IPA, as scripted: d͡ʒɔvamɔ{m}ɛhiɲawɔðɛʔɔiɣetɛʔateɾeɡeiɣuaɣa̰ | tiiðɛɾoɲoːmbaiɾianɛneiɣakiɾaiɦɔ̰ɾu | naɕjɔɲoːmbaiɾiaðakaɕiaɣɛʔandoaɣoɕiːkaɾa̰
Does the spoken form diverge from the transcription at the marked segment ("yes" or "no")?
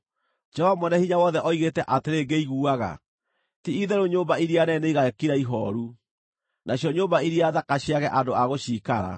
yes